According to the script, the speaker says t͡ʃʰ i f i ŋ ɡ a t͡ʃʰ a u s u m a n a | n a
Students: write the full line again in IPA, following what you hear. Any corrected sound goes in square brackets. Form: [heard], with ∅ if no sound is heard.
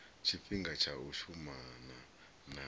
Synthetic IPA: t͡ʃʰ i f i ŋ ɡ a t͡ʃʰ a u [ʃ] u m a n a | n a